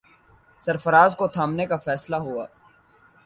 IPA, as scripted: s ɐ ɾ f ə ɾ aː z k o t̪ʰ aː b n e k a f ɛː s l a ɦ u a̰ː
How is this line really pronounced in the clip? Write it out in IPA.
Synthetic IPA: s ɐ ɾ f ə ɾ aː z k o t̪ʰ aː m n e k a f ɛː s l a ɦ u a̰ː